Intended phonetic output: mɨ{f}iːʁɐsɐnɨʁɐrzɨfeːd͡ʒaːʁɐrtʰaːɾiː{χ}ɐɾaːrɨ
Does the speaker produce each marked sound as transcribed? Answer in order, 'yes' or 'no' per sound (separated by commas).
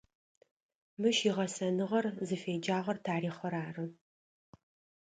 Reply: no, yes